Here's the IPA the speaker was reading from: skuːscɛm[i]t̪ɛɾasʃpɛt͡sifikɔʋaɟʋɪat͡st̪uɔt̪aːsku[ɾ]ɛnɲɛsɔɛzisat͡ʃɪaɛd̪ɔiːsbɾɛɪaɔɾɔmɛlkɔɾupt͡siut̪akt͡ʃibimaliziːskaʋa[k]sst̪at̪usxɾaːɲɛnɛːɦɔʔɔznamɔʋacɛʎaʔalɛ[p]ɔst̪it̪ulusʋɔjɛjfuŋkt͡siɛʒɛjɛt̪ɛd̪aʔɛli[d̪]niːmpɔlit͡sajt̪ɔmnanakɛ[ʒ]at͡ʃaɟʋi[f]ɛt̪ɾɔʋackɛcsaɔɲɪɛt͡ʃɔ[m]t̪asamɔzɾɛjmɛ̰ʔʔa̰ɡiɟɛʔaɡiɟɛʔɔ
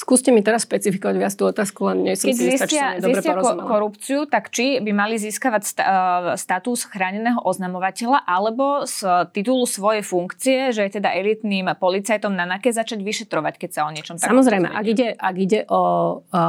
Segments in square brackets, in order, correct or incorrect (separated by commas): correct, incorrect, incorrect, incorrect, incorrect, incorrect, incorrect, correct